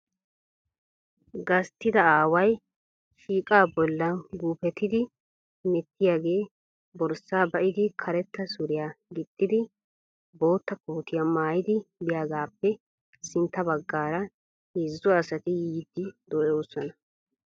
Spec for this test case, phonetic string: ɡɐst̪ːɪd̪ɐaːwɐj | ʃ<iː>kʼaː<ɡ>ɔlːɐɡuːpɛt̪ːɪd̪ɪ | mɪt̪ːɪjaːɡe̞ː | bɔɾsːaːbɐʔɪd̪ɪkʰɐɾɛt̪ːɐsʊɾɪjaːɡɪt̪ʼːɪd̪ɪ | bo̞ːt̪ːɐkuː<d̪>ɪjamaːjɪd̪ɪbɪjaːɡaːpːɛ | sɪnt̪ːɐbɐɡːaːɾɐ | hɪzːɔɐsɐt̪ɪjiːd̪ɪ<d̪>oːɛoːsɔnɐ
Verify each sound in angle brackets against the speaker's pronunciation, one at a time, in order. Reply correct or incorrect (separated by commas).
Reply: correct, incorrect, incorrect, correct